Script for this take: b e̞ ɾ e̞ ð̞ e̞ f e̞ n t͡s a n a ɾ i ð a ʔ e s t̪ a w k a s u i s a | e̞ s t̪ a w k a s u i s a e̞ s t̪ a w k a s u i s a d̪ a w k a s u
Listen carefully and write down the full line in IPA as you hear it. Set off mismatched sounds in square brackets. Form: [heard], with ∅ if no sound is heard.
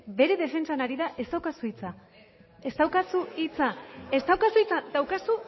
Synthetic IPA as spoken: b e̞ ɾ e̞ ð̞ e̞ f e̞ n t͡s a n a ɾ i ð a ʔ e s t̪ a w k a s u i [t͡s] a | e̞ s t̪ a w k a s u i [t͡s] a e̞ s t̪ a w k a s u i [t͡s] a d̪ a w k a s u